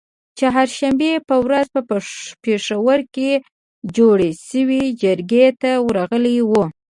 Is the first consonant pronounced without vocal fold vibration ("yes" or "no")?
yes